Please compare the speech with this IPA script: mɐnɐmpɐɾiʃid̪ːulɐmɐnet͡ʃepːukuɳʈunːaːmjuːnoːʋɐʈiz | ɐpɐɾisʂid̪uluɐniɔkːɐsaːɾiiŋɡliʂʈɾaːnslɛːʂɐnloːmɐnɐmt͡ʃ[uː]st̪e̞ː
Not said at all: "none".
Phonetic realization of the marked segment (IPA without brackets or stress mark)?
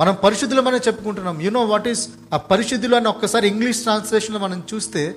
uː